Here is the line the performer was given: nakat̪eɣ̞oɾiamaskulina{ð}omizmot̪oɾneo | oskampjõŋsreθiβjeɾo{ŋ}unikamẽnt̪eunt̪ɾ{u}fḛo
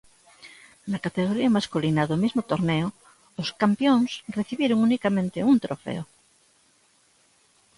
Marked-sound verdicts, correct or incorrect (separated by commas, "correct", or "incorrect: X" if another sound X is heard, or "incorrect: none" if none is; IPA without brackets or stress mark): correct, correct, incorrect: o